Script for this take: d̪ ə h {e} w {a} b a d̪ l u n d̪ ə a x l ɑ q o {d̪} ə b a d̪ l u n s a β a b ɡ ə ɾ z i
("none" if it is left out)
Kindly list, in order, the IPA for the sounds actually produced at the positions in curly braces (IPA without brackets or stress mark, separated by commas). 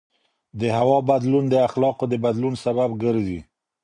a, ɑ, d̪